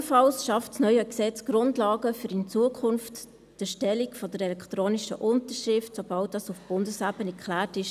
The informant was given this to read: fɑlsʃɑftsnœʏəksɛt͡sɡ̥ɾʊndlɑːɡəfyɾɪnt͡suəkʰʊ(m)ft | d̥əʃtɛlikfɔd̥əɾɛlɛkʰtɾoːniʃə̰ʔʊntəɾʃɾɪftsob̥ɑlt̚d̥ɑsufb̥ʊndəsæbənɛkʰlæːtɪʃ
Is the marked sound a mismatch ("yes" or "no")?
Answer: yes